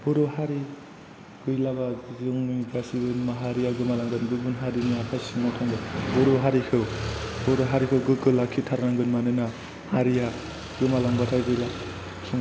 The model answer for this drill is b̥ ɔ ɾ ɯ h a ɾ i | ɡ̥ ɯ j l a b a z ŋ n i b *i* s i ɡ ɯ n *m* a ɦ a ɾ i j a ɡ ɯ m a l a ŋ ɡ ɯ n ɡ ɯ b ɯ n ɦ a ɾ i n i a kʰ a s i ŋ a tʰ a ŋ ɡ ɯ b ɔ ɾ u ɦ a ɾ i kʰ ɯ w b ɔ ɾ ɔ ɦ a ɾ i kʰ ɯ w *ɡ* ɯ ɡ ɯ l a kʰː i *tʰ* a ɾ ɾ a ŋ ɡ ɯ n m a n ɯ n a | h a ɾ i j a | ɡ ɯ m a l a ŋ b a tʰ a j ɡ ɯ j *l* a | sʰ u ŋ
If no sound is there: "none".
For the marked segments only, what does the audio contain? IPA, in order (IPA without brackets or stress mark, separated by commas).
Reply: a, m, ɡ, tʰ, l